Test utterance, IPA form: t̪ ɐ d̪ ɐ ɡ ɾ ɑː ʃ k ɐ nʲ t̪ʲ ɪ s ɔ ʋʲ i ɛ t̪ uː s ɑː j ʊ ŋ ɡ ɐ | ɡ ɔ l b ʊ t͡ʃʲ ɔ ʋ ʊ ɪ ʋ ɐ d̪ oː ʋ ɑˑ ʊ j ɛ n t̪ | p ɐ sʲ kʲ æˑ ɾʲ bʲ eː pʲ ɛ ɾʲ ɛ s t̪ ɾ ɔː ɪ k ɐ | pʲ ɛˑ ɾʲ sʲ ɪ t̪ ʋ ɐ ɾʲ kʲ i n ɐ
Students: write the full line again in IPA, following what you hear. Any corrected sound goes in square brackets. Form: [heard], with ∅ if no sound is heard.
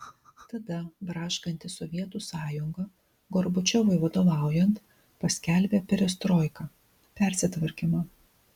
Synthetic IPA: t̪ ɐ d̪ ɐ [b] ɾ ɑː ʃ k ɐ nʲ t̪ʲ ɪ s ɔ ʋʲ i ɛ t̪ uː s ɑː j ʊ ŋ ɡ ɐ | ɡ ɔ [ɾ] b ʊ t͡ʃʲ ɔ ʋ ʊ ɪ ʋ ɐ d̪ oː ʋ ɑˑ ʊ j ɛ n t̪ | p ɐ sʲ kʲ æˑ [lʲ] bʲ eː pʲ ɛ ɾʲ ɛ s t̪ ɾ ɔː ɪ k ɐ | pʲ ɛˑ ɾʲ sʲ ɪ t̪ ʋ ɐ ɾʲ kʲ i [m] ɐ

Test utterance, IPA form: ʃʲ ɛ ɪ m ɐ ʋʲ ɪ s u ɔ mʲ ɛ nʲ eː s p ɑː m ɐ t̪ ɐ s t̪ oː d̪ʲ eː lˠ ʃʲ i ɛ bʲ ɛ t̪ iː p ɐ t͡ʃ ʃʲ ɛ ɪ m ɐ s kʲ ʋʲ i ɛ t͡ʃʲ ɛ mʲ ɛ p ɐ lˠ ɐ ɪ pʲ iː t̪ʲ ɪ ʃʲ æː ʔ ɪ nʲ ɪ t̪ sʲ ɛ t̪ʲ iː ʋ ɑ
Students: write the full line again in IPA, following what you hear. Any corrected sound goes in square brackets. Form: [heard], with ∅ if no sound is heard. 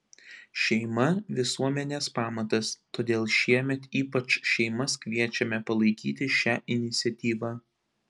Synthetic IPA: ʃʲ ɛ ɪ m ɐ ʋʲ ɪ s u ɔ mʲ ɛ nʲ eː s p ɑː m ɐ t̪ ɐ s t̪ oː d̪ʲ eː lˠ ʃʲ i ɛ [mʲ] ɛ t̪ iː p ɐ t͡ʃ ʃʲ ɛ ɪ m ɐ s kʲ ʋʲ i ɛ t͡ʃʲ ɛ mʲ ɛ p ɐ lˠ ɐ ɪ [kʲ] iː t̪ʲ ɪ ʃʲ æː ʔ ɪ nʲ ɪ t̪ sʲ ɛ t̪ʲ iː ʋ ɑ

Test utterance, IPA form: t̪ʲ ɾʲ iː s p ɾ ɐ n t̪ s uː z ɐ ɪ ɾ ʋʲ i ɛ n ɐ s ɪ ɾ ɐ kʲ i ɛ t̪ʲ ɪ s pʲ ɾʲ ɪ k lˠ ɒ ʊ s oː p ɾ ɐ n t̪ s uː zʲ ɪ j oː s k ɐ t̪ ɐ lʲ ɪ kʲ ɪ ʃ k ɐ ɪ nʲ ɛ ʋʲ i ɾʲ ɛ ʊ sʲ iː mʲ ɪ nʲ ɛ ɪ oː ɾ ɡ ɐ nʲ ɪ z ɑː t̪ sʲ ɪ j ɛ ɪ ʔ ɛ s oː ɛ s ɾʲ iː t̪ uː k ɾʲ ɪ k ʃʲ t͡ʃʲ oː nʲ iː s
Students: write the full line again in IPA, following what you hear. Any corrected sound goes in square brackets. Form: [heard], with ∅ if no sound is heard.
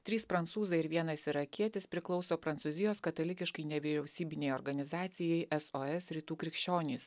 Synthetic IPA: t̪ʲ ɾʲ iː s p ɾ ɐ n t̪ s uː z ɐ ɪ ɾ ʋʲ i ɛ n ɐ s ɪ ɾ ɐ kʲ i ɛ t̪ʲ ɪ s pʲ ɾʲ ɪ k lˠ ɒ ʊ s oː p ɾ ɐ n t̪ s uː zʲ ɪ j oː s k ɐ t̪ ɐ lʲ ɪ kʲ ɪ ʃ k ɐ ɪ nʲ ɛ ʋʲ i ɾʲ ɛ ʊ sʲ iː [bʲ] ɪ nʲ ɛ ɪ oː ɾ ɡ ɐ nʲ ɪ z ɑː t̪ sʲ ɪ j ɛ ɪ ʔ ɛ s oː ɛ s ɾʲ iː t̪ uː k ɾʲ ɪ k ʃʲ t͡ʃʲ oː nʲ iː s

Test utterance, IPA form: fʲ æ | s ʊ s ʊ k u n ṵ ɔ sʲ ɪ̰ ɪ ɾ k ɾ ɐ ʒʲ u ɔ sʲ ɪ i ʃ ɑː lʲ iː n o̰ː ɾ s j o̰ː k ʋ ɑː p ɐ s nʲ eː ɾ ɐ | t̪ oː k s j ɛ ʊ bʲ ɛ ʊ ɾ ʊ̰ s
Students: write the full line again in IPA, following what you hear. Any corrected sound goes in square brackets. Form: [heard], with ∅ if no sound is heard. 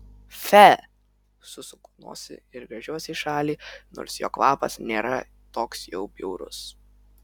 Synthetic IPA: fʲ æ | s ʊ s ʊ k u n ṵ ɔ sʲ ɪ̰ ɪ ɾ [ɡ] ɾ ɐ ʒʲ u ɔ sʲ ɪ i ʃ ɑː lʲ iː n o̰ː ɾ s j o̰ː k ʋ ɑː p ɐ s nʲ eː ɾ ɐ | t̪ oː k s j ɛ ʊ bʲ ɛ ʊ ɾ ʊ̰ s

